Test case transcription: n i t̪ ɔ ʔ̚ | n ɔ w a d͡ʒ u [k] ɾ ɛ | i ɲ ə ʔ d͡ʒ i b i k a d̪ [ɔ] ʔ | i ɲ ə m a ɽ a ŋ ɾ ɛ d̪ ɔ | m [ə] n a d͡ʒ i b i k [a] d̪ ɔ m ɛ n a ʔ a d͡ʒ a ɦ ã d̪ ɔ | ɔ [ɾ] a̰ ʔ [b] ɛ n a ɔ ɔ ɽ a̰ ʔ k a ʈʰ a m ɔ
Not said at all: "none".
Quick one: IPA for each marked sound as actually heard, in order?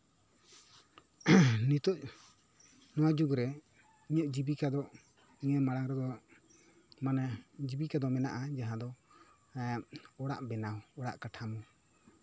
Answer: ɡ, ɔ, a, a, ɽ, b

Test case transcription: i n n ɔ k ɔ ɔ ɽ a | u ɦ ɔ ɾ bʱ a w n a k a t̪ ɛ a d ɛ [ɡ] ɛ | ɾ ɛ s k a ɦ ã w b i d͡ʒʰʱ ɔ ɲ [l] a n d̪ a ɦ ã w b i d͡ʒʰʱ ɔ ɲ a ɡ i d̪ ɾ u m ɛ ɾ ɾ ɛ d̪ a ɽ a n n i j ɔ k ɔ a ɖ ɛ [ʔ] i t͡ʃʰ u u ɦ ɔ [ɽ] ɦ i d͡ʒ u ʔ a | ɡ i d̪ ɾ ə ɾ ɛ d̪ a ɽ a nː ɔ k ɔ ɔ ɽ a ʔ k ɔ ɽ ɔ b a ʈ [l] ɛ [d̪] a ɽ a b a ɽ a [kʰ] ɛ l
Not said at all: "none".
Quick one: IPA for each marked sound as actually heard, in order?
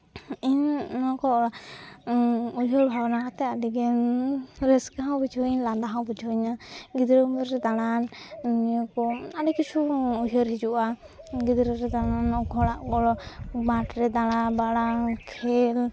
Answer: ɡ, l, k, ɾ, ɾ, d̪, kʰ

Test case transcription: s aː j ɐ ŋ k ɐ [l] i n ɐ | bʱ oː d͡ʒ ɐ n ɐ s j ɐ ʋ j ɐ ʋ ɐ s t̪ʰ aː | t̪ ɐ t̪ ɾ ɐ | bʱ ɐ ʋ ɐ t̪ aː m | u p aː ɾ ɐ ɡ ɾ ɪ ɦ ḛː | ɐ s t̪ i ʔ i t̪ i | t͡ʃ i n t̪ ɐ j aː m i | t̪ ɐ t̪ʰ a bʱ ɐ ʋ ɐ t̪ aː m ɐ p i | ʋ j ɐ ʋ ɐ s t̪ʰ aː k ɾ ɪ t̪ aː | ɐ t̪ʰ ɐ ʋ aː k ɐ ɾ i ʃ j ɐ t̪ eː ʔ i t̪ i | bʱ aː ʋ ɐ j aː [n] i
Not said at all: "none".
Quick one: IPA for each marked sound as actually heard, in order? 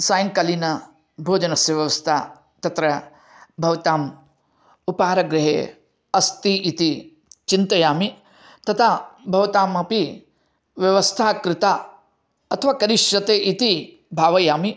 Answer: l, m

